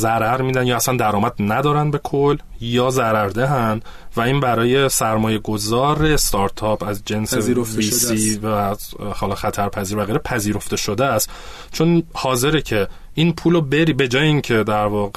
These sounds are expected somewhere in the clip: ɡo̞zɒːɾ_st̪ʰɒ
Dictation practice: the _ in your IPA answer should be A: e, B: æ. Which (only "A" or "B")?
A